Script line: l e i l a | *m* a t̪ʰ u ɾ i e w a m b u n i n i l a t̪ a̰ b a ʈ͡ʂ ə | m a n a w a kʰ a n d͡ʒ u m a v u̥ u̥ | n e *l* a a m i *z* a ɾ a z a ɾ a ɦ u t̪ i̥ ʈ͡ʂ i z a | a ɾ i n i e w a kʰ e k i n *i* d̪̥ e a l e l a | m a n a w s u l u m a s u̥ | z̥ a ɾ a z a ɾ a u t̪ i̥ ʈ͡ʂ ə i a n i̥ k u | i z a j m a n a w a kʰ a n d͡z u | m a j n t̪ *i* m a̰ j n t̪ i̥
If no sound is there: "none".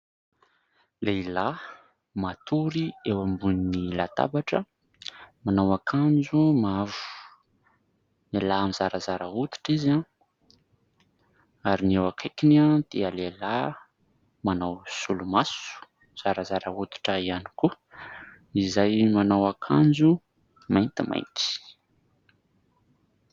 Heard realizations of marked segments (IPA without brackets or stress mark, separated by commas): m, l, z, a, i